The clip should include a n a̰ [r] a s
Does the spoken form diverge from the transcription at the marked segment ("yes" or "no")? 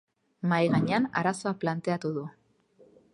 yes